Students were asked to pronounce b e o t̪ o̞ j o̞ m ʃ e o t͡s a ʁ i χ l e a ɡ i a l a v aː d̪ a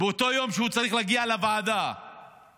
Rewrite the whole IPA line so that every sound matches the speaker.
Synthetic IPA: b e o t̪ o̞ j o̞ m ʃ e u t͡s a ʁ i χ l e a ɡ i a l a v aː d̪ a